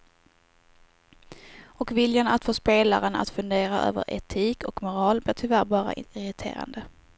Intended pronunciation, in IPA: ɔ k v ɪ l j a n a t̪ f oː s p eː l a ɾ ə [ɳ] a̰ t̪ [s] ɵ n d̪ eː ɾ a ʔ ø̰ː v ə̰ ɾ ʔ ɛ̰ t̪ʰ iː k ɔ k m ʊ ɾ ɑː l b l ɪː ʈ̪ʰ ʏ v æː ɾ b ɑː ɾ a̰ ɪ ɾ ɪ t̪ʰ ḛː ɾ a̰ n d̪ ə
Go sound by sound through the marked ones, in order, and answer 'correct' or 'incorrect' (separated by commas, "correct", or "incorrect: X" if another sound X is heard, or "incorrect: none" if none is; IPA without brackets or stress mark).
incorrect: n, incorrect: f